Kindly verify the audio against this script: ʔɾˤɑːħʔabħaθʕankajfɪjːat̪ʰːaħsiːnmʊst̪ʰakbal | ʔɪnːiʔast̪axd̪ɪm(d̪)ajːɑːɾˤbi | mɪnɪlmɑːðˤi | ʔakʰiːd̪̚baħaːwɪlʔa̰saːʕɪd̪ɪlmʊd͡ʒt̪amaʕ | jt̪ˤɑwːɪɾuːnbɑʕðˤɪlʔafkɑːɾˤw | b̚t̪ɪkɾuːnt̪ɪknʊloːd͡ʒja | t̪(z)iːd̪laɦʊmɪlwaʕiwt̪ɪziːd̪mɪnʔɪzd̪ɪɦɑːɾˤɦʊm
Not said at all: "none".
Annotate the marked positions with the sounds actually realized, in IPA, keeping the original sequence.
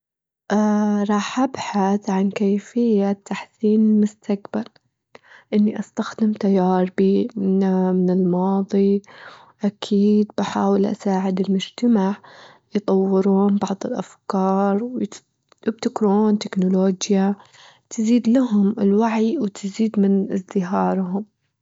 t̪, z

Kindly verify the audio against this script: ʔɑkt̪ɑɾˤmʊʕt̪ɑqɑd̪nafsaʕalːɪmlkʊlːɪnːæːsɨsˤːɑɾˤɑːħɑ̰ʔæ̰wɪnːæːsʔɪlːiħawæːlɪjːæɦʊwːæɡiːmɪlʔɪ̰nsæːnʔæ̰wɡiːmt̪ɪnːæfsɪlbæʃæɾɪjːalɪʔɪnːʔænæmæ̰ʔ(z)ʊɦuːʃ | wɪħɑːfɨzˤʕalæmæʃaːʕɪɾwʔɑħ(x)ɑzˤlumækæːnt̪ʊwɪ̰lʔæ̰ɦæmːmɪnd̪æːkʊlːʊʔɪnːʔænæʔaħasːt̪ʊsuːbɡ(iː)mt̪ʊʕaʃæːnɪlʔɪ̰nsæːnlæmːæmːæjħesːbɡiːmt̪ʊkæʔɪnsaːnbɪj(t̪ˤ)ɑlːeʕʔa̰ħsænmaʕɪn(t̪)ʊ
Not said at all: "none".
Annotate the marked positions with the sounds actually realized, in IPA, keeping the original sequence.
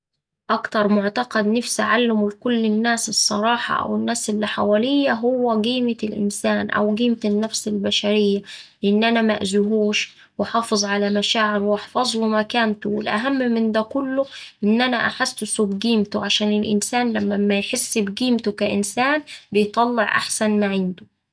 z, f, iː, t̪ˤ, d̪

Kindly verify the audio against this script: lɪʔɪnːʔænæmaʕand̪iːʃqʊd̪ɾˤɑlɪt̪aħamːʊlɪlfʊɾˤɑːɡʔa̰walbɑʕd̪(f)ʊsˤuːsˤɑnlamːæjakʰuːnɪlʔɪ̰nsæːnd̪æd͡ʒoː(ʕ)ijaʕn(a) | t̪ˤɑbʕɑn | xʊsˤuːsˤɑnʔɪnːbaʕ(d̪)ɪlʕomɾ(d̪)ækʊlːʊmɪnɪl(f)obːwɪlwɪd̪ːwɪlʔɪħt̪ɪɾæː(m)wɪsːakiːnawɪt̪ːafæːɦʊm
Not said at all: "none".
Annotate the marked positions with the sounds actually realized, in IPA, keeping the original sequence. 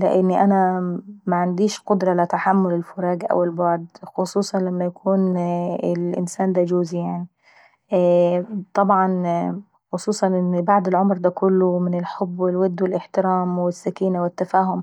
x, z, i, d̪, d̪, ħ, m

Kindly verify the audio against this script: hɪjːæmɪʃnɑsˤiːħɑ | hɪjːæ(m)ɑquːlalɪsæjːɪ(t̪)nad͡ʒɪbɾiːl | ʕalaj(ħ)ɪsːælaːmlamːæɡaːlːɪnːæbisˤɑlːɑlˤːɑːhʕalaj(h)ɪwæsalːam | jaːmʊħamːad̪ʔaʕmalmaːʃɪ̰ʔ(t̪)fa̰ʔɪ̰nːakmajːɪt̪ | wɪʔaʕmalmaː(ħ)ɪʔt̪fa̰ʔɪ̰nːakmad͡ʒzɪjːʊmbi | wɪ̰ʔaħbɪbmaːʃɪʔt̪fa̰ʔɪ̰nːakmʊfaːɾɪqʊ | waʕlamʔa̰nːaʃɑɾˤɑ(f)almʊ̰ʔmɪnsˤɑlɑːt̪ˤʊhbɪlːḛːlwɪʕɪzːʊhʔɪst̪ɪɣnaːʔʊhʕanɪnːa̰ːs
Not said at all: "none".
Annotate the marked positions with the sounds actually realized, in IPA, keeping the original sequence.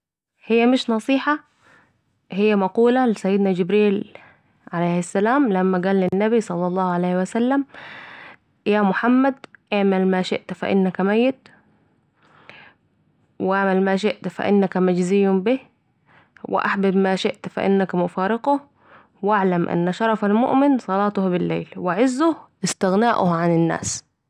m, d̪, h, h, t̪, ʃ, f

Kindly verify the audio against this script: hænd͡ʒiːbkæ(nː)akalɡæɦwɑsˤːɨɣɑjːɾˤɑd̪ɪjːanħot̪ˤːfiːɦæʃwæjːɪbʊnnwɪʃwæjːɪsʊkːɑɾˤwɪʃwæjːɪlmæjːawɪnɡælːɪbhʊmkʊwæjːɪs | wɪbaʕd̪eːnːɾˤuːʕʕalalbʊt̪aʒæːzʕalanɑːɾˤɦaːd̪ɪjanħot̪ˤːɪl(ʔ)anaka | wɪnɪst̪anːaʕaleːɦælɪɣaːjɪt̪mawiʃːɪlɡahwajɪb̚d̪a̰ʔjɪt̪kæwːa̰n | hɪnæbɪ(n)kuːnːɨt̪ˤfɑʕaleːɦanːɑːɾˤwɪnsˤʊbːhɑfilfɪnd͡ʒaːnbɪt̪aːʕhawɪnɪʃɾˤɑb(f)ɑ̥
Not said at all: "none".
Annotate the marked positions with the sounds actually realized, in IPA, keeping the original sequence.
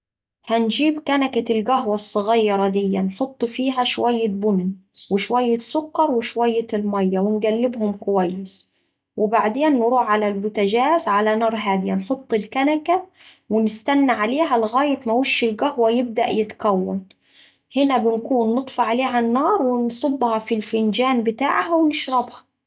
n, k, n, h

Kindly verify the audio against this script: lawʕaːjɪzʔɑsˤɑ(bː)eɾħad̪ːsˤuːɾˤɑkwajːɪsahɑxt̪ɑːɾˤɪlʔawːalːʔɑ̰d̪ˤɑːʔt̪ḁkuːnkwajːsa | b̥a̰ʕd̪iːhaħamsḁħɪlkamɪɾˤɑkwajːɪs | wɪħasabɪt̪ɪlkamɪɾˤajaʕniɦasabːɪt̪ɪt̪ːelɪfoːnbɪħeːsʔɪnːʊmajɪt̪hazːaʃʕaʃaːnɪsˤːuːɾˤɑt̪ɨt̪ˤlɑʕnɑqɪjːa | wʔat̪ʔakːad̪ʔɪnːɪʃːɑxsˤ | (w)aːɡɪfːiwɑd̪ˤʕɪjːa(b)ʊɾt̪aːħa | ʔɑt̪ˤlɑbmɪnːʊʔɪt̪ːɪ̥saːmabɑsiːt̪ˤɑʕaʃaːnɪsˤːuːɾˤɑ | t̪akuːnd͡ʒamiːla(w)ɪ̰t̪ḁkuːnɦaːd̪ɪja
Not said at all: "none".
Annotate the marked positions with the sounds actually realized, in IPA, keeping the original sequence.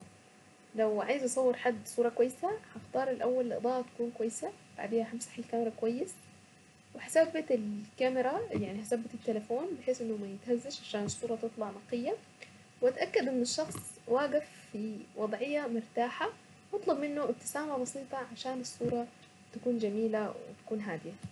wː, w, m, w

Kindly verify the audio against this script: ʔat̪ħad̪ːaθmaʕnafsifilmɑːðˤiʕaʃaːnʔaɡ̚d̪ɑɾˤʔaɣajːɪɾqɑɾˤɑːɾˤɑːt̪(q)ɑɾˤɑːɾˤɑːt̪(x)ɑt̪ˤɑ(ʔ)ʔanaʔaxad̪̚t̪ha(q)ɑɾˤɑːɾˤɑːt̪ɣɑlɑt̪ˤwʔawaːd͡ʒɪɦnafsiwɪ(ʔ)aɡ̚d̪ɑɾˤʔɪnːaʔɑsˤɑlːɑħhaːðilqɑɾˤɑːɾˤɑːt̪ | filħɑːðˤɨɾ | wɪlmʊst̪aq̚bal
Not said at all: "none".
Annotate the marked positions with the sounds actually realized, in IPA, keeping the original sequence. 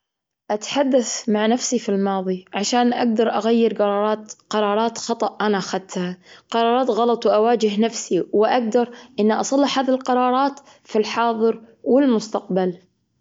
q, x, ʔ, q, ʔ

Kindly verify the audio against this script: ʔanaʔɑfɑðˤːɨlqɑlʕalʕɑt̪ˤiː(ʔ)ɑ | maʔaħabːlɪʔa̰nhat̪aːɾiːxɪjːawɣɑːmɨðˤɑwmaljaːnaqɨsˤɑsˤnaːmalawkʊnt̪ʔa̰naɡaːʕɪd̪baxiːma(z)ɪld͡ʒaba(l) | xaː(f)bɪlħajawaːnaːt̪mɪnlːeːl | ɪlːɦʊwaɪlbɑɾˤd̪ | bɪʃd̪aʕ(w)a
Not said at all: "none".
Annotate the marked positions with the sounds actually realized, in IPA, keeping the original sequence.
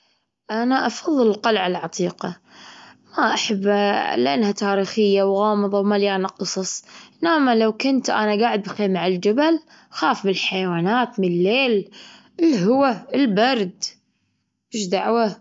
q, ʕ, l, f, w

